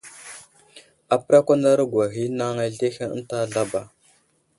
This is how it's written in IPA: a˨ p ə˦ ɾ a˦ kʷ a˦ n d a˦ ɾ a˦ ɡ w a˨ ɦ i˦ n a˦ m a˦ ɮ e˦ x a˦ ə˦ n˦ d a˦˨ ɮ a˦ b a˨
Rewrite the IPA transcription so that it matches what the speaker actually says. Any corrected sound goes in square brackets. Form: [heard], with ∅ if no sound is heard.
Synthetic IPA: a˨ p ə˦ ɾ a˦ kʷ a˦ n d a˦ ɾ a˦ ɡ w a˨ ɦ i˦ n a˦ [ŋ] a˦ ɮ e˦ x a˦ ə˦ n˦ [t] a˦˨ ɮ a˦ b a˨